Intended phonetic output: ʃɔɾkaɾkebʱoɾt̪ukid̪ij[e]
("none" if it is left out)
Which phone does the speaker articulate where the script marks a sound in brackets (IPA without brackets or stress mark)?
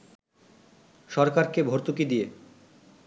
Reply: e